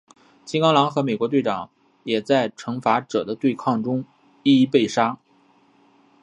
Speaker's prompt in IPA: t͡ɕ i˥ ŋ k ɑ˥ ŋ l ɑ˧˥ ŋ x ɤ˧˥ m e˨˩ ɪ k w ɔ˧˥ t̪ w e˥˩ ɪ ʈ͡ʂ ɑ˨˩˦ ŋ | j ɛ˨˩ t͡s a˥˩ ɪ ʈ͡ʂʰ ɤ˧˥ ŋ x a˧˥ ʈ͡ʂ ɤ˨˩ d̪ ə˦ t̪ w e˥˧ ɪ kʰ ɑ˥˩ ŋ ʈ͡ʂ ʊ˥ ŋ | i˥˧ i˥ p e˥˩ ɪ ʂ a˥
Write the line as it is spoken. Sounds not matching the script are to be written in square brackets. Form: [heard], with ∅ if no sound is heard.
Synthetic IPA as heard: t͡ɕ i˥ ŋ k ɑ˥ ŋ l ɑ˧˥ ŋ x ɤ˧˥ m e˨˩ ɪ k w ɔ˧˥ t̪ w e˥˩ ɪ ʈ͡ʂ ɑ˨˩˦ ŋ | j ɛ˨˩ t͡s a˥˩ ɪ ʈ͡ʂʰ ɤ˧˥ ŋ [f] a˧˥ ʈ͡ʂ ɤ˨˩ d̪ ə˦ t̪ w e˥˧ ɪ kʰ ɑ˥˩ ŋ ʈ͡ʂ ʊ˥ ŋ | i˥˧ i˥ p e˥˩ ɪ ʂ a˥